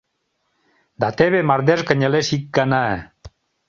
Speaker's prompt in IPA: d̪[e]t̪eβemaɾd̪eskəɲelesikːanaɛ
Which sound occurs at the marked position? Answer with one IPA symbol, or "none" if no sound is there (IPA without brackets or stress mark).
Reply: a